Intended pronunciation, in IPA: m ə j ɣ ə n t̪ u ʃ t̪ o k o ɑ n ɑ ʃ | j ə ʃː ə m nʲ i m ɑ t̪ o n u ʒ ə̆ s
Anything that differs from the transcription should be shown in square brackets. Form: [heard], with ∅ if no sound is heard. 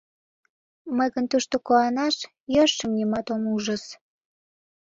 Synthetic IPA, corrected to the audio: m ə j ɣ ə n t̪ u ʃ t̪ o k o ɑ n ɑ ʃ | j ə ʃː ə m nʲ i m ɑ t̪ o [m] u ʒ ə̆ s